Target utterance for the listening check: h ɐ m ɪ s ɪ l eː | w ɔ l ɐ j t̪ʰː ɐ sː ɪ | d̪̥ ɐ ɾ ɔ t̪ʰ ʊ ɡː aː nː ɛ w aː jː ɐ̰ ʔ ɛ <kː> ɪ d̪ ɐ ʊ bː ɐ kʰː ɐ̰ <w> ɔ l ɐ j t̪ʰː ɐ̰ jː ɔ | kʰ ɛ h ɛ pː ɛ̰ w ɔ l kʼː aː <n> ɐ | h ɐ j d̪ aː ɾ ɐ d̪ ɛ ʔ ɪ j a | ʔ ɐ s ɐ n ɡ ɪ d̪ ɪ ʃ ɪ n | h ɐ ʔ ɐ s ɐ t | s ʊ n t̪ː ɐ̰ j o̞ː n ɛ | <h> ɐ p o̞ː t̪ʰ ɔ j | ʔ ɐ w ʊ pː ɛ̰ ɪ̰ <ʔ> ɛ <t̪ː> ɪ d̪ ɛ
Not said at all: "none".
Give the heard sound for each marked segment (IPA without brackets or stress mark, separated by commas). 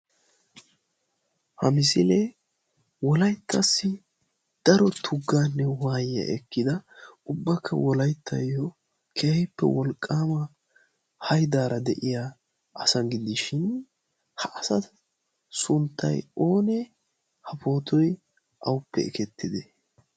kː, w, m, h, k, t̪ː